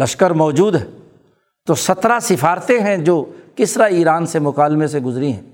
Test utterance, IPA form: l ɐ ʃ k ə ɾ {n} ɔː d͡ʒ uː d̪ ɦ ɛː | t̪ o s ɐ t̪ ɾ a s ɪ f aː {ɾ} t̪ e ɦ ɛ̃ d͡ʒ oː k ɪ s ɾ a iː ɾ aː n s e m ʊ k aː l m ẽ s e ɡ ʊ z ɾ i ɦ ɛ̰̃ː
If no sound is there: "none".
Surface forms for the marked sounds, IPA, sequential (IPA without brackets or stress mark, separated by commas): m, ɾ